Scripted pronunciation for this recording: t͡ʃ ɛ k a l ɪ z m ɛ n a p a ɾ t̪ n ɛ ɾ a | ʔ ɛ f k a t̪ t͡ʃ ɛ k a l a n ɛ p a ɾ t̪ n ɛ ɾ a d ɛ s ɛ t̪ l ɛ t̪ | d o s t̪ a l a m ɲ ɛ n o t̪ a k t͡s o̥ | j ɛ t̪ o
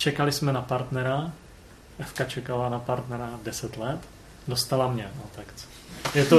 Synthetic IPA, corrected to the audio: t͡ʃ ɛ k a l ɪ s m ɛ n a p a ɾ t̪ n ɛ ɾ a | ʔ ɛ f k a t͡ʃ ɛ k a l a n a p a ɾ t̪ n ɛ ɾ a d ɛ s ɛ t̪ l ɛ t̪ | d o s t̪ a l a m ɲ ɛ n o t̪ a k t͡s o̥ | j ɛ t̪ o